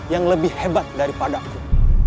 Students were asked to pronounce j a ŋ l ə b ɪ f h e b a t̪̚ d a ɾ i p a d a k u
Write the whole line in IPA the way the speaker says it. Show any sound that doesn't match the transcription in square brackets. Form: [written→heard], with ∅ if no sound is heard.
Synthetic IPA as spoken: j a ŋ l ə b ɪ [f→h] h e b a t̪̚ d a ɾ i p a d a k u

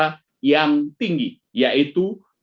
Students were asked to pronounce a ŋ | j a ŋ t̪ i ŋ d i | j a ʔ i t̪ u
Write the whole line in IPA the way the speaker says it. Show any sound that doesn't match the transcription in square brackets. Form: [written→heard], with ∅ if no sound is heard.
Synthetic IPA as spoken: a [ŋ→∅] | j a ŋ t̪ i ŋ [d→ɡ] i | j a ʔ i t̪ u

